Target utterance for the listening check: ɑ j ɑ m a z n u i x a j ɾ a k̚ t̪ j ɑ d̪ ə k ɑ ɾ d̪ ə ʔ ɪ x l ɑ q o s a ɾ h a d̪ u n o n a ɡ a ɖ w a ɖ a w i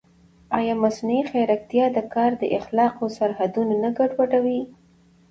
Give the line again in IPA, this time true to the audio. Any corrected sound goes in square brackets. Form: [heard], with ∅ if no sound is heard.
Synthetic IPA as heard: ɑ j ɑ m a [s] n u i x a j ɾ a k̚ t̪ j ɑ d̪ ə k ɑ ɾ d̪ ə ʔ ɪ x l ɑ q o s a ɾ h a d̪ u n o n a ɡ a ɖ w a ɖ a w i